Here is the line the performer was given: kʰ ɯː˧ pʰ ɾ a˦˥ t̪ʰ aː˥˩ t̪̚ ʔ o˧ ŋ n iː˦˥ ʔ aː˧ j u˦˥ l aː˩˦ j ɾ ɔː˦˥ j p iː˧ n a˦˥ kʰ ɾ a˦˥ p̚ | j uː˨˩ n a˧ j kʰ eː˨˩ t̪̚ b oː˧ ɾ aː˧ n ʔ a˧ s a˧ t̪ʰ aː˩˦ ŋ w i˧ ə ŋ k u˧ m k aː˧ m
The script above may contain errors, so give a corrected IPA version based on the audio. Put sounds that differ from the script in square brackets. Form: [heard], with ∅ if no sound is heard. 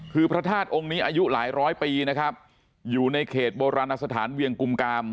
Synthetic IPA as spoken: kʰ ɯː˧ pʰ ɾ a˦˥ t̪ʰ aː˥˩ t̪̚ ʔ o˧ ŋ n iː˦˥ ʔ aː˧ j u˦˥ l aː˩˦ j ɾ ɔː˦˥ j p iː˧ n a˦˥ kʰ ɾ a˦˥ p̚ | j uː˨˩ n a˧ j kʰ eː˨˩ t̪̚ b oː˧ ɾ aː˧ n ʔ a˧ s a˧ t̪ʰ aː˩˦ [n] w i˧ ə ŋ k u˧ m k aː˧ m